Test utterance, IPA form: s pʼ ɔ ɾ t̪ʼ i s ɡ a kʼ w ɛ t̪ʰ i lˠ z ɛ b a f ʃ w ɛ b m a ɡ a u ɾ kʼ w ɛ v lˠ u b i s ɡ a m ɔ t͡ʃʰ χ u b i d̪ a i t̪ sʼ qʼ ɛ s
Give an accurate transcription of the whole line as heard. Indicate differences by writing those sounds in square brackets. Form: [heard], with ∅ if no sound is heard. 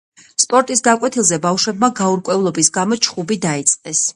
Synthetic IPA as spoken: s pʼ ɔ ɾ t̪ʼ i s ɡ a kʼ w ɛ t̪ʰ i lˠ z ɛ b a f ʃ w ɛ b m a ɡ a u ɾ kʼ w ɛ v lˠ [ɔ] b i s ɡ a m ɔ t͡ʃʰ χ u b i d̪ a i t̪ sʼ qʼ ɛ s